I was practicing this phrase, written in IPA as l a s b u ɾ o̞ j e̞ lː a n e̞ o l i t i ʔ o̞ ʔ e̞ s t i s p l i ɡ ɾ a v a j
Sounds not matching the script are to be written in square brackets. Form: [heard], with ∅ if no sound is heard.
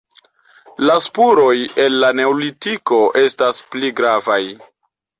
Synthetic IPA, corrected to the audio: l a s [p] u ɾ o̞ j e̞ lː a n e̞ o l i t i [k] o̞ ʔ e̞ s t [a] s p l i ɡ ɾ a v a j